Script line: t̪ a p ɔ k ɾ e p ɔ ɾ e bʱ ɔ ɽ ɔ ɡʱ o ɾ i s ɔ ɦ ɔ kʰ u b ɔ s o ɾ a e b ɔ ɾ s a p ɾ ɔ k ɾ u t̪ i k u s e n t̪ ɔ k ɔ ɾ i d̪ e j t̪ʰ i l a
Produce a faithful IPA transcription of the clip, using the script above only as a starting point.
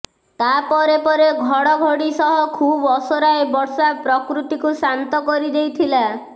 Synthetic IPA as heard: t̪ a p ɔ ɾ e p ɔ ɾ e ɡʱ ɔ ɽ ɔ ɡʱ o ɽ i s ɔ ɦ ɔ kʰ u b ɔ s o ɾ a e b ɔ ɾ s a p ɾ ɔ k ɾ u t̪ i k u s a n t̪ ɔ k ɔ ɾ i d̪ e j t̪ʰ i l a